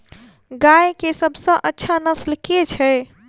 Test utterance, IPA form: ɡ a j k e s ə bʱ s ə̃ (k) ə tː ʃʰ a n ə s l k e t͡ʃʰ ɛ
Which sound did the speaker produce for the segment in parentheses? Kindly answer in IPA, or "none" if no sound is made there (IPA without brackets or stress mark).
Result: ʔ